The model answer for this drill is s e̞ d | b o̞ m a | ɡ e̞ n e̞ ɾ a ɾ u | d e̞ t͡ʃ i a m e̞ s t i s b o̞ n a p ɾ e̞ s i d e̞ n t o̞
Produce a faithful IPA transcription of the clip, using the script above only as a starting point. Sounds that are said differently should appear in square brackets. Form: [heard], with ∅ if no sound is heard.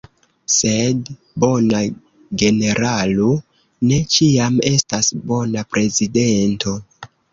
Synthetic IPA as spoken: s e̞ d | b o̞ [n] a | ɡ e̞ n e̞ ɾ a [l] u | [n] e̞ t͡ʃ i a m e̞ s t [a] s b o̞ n a p ɾ e̞ [z] i d e̞ n t o̞